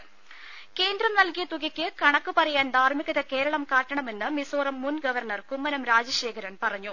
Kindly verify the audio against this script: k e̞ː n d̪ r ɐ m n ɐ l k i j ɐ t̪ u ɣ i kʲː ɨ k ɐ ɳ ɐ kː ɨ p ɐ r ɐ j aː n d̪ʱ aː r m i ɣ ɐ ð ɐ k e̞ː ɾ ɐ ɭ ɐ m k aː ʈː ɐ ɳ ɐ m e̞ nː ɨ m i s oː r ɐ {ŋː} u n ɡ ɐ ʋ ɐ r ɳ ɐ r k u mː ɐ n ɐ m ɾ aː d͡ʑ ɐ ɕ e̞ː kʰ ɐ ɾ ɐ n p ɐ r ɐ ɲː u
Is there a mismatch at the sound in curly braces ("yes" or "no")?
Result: yes